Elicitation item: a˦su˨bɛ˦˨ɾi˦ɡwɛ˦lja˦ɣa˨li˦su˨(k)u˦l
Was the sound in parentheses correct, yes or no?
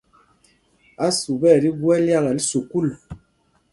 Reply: yes